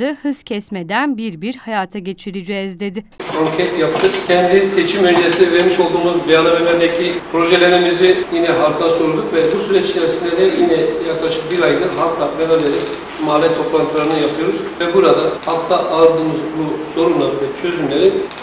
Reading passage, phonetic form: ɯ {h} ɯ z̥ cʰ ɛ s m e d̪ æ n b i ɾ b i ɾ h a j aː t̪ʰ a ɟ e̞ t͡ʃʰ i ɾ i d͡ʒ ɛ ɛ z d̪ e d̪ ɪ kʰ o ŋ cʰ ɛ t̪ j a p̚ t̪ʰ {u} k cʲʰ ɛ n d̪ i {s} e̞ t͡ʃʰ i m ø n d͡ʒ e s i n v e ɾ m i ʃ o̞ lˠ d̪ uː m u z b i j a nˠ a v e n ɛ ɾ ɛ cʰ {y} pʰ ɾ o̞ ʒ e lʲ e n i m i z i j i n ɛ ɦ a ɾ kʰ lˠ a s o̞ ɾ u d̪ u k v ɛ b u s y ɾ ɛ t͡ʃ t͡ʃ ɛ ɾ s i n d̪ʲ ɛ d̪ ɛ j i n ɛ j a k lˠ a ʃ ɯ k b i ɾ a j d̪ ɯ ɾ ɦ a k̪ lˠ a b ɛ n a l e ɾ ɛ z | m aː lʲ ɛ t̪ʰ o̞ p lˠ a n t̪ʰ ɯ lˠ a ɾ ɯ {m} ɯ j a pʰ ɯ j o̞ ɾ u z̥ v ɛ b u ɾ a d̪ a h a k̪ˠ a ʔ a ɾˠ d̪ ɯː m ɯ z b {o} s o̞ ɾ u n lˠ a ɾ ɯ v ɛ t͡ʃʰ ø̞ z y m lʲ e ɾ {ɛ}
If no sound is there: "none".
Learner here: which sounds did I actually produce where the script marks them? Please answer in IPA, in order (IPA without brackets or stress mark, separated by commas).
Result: h, ɯ, s, i, n, u, i